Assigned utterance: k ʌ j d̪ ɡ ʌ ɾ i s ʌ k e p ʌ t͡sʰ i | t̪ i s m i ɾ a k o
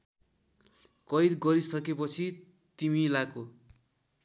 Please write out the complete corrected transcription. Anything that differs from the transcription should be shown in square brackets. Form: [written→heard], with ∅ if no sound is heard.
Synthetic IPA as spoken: k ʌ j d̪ ɡ ʌ ɾ i s ʌ k e p ʌ t͡sʰ i | t̪ i [s→∅] m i [ɾ→l] a k o